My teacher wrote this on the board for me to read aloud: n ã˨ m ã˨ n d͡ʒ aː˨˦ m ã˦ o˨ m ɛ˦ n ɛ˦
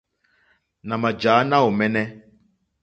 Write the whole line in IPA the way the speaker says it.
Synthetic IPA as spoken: n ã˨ m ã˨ d͡ʒ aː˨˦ n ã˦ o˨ m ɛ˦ n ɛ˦